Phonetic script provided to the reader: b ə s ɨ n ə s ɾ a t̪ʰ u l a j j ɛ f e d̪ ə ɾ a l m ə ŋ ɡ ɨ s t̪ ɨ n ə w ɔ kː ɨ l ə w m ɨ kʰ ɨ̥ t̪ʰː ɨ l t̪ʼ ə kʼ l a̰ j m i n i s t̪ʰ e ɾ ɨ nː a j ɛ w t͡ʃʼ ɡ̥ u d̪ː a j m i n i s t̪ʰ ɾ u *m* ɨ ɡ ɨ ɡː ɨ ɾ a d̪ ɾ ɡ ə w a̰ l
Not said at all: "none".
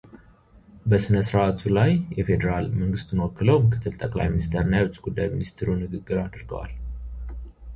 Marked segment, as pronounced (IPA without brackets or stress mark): n